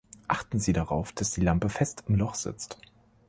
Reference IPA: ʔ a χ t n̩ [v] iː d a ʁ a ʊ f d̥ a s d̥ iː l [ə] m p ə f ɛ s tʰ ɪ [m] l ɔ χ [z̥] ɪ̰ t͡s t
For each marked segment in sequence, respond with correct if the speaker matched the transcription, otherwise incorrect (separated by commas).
incorrect, incorrect, correct, correct